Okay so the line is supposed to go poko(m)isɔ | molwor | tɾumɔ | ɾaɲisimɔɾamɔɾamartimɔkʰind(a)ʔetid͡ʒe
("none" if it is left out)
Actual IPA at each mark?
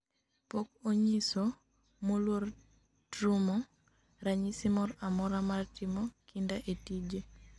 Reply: ɲ, a

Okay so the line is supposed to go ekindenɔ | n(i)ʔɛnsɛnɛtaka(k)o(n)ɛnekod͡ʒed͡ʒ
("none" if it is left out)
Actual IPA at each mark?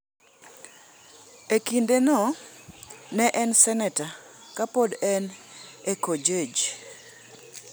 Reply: ɛ, p, d

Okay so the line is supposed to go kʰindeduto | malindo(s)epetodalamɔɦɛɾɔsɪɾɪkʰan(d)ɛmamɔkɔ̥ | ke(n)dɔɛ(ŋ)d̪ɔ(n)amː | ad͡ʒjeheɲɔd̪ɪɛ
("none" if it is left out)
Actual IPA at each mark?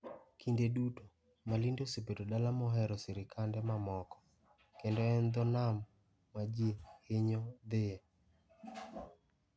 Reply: s, d, n, n, n

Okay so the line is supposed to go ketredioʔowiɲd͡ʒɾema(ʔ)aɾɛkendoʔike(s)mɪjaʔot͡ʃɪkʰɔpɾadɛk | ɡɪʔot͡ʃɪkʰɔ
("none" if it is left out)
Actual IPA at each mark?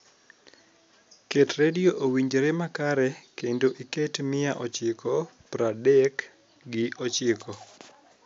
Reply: k, t

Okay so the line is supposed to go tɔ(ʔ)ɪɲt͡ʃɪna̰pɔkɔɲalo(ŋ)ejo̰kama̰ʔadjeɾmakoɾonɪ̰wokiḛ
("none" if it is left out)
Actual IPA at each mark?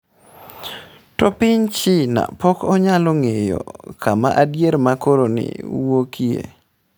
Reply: p, ŋ

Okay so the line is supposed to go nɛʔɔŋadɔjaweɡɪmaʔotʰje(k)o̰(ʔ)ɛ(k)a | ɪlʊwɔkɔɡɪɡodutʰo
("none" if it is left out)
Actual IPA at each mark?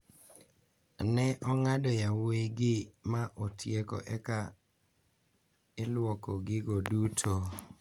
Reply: k, ʔ, k

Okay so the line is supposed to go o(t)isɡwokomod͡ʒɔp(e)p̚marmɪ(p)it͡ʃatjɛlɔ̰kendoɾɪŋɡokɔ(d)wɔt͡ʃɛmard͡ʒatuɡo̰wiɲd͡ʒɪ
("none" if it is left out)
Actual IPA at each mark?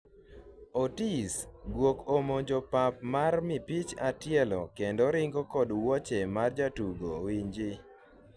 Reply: t, a, p, d

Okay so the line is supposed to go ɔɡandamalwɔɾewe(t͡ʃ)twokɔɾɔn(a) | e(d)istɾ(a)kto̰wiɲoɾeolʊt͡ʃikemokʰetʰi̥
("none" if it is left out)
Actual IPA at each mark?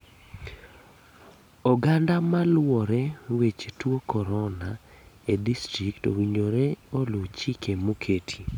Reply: t͡ʃ, a, d, i

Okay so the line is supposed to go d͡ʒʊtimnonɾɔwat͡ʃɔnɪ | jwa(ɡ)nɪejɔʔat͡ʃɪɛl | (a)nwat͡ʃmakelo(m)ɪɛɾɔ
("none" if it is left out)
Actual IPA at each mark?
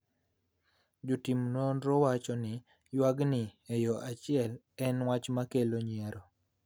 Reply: ɡ, ɛ, ɲ

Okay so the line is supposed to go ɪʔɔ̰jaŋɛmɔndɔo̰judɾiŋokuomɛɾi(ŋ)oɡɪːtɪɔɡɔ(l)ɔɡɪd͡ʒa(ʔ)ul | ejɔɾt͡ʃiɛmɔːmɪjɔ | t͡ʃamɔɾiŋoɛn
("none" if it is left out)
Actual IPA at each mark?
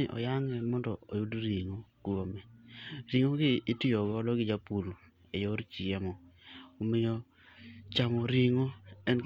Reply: ŋ, l, p

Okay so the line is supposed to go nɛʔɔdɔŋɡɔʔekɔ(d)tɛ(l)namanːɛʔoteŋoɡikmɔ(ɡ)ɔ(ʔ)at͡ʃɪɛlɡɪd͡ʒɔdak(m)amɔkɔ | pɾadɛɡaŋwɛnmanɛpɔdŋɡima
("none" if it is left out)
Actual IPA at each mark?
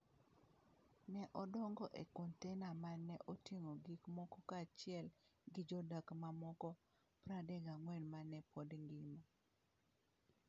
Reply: n, none, k, k, m

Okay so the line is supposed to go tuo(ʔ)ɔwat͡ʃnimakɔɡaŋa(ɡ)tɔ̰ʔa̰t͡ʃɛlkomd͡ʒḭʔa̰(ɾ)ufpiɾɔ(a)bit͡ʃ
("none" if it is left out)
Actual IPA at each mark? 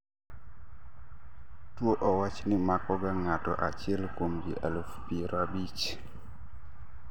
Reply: ʔ, none, l, a

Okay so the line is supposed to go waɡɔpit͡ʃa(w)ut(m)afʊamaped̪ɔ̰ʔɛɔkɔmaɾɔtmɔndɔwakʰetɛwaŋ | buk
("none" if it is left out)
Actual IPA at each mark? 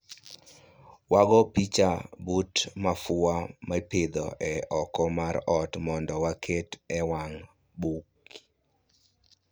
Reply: b, m

